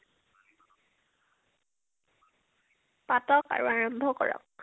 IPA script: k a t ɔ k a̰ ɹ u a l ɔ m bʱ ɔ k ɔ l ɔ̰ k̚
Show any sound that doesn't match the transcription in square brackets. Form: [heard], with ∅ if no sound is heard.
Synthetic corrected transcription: [p] a t ɔ k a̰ ɹ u a [ɹ] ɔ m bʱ ɔ k ɔ [ɹ] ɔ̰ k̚